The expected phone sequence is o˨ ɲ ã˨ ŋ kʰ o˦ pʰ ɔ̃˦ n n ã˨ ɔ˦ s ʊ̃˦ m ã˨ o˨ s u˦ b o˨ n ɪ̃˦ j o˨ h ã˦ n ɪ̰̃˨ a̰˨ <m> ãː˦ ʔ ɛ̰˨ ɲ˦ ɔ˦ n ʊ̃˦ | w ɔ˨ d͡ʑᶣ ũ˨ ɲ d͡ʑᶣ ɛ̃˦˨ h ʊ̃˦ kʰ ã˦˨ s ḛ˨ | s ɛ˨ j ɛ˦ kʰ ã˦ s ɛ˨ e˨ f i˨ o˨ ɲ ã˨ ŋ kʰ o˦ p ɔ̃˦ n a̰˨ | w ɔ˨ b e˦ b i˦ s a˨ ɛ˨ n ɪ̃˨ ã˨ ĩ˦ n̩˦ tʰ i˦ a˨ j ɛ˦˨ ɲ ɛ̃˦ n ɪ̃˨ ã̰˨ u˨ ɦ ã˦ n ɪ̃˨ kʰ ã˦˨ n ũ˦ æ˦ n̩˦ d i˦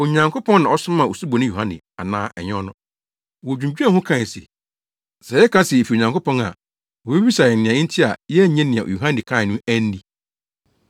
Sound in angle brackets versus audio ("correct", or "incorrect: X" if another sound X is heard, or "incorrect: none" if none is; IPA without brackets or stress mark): incorrect: n